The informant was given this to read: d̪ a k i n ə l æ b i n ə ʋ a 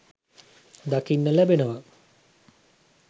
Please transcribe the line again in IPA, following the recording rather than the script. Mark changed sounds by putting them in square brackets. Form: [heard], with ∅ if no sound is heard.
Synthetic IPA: d̪ a k i [nː] ə l æ b [e] n ə ʋ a